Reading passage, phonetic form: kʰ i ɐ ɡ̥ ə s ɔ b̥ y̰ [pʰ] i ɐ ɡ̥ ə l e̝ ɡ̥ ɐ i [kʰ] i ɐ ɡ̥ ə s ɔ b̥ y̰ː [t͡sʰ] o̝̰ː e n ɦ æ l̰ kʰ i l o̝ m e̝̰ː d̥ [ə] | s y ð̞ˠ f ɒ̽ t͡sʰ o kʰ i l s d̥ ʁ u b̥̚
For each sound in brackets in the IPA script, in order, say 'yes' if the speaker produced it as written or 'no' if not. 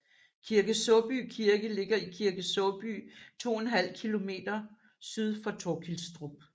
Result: no, yes, yes, no

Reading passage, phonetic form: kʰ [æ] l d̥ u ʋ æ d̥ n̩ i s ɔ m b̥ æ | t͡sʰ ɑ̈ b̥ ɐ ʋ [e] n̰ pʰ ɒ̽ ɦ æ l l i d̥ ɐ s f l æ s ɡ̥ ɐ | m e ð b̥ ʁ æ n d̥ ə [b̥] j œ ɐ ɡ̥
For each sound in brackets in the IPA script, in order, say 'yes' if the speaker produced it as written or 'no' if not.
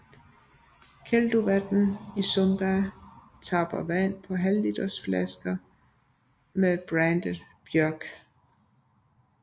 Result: no, no, yes

